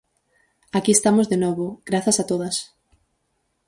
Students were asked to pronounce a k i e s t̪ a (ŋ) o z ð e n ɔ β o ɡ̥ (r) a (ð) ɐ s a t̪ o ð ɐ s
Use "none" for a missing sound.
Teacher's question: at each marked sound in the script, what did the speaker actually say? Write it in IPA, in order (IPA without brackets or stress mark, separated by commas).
m, ɾ, θ